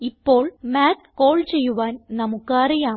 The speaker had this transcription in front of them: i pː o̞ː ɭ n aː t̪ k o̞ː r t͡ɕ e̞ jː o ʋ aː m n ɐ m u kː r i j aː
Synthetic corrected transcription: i pː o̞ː ɭ m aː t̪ k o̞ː ɭ t͡ɕ e̞ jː u ʋ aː n n ɐ m u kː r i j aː

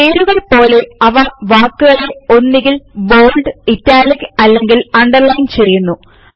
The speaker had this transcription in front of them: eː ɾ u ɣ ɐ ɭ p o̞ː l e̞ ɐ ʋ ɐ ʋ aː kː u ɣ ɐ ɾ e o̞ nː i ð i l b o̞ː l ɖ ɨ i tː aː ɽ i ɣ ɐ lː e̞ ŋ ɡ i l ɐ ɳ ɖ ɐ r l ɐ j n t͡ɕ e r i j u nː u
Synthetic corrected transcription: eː ɾ u ɣ ɐ ɭ p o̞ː l e̞ ɐ ʋ ɐ ʋ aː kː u ɣ ɐ ɭ e o̞ nː i ɣ i l b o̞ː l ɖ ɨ i tː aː l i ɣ ɐ lː e̞ ŋ ɡ i l ɐ ɳ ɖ ɐ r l ɐ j n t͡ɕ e r i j u nː u

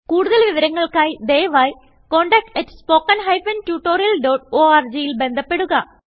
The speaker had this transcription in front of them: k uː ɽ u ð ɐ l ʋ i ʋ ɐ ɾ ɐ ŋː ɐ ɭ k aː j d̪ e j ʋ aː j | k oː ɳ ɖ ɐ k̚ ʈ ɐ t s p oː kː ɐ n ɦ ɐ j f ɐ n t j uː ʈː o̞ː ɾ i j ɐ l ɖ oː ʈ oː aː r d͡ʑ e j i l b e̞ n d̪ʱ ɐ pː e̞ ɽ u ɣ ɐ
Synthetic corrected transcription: k uː ɽ u ð ɐ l ʋ i ʋ ɐ ɾ ɐ ŋː ɐ ɭ k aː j d̪ e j ʋ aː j | k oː ɳ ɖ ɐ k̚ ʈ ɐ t s p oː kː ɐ n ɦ ɐ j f ɐ n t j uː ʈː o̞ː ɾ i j ɐ l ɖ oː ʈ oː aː r d͡ʑ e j i l b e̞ n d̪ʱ ɐ pː e̞ ɽ u ɣ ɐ

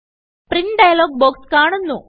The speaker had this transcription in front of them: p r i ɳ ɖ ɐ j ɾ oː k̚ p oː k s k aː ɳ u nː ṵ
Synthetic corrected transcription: p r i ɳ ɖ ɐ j l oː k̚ b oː k s k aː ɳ u nː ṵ

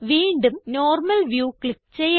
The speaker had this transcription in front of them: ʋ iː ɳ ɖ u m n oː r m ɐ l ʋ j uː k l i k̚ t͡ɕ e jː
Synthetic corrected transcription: ʋ iː ɳ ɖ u m n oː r m ɐ l ʋ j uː k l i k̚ t͡ɕ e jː

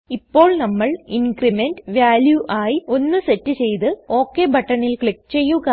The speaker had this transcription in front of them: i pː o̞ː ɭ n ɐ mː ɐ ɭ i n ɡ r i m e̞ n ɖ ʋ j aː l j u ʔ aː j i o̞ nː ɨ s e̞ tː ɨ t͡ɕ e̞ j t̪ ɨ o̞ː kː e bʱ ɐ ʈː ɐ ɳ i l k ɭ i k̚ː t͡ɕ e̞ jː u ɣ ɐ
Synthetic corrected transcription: i pː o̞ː ɭ n ɐ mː ɐ ɭ i n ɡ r i m e̞ n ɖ ʋ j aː l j u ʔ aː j i o̞ nː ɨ s e̞ tː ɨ t͡ɕ e̞ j t̪ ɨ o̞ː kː e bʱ ɐ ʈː ɐ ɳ i l k ɭ i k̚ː t͡ɕ e̞ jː u ɣ ɐ

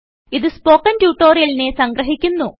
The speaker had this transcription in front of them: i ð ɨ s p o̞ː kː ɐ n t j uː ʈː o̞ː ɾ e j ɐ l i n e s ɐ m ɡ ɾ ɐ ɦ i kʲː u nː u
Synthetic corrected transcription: i ð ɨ s p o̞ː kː ɐ n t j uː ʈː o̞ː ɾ i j ɐ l i n e s ɐ ŋ ɡ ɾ ɐ ɦ i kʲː u nː u

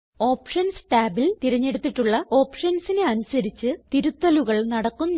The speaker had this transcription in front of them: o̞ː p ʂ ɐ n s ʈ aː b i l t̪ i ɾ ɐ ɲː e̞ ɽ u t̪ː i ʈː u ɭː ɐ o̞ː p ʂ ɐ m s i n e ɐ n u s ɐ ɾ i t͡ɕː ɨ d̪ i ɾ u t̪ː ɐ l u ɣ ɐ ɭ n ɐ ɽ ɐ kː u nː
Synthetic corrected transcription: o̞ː p ʂ ɐ n s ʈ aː b i l t̪ i ɾ ɐ ɲː e̞ ɽ u t̪ː i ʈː u ɭː ɐ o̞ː p ʂ ɐ n s i n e ɐ n u s ɐ ɾ i t͡ɕː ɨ t̪ i ɾ u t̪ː ɐ l u ɣ ɐ ɭ n ɐ ɽ ɐ kː u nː

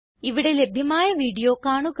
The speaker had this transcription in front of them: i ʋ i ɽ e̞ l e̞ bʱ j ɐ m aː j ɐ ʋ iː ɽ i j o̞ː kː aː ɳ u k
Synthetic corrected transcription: i ʋ i ɽ e̞ l e̞ bʱ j ɐ m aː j ɐ ʋ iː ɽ i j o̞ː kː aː ɳ u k

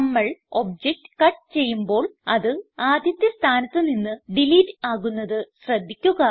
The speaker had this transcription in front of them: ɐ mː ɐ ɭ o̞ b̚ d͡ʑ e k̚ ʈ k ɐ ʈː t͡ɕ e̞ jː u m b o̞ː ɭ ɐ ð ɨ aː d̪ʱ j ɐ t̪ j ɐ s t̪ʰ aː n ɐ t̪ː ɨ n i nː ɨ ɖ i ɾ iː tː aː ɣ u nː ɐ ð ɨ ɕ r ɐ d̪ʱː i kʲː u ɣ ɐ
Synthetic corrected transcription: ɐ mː ɐ ɭ o̞ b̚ d͡ʑ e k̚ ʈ k ɐ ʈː t͡ɕ e̞ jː u m b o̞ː ɭ ɐ ð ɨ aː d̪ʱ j ɐ t̪ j ɐ s t̪ʰ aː n ɐ t̪ː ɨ n i nː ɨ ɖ i l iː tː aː ɣ u nː ɐ ð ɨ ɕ r ɐ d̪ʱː i kʲː u ɣ ɐ

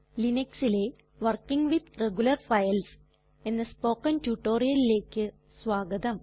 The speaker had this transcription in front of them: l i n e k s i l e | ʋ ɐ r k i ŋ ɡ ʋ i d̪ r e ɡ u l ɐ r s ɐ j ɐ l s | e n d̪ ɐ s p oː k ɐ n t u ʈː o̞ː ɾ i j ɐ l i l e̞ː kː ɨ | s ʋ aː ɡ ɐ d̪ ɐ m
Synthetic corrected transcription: l i n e k s i l e | ʋ ɐ r k i ŋ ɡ ʋ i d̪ r e ɡ u l ɐ r f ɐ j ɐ l s | e n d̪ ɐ s p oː k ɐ n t u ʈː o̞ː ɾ i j ɐ l i l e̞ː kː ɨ | s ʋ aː ɡ ɐ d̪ ɐ m

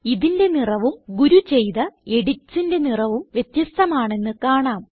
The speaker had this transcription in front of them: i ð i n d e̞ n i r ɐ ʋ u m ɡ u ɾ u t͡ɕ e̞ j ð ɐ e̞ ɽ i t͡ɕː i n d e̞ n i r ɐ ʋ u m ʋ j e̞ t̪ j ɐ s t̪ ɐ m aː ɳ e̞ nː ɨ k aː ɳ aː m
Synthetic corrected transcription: i ð i n d e̞ n i r ɐ ʋ u m ɡ u ɾ u t͡ɕ e̞ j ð ɐ e̞ ɽ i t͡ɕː i n d e̞ n i r ɐ ʋ u m ʋ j e̞ t̪ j ɐ s t̪ ɐ m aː ɳ e̞ nː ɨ k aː ɳ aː m

